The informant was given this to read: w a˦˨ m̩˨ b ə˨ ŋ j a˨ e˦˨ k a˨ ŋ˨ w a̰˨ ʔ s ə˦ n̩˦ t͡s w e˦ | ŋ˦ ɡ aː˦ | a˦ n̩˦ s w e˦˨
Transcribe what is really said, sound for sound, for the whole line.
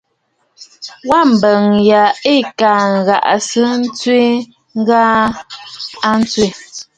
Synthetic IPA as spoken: w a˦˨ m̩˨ b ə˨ ŋ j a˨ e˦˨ k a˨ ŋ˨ ɣ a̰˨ ʔ s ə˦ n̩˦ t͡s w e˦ | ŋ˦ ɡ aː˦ | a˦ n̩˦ t͡s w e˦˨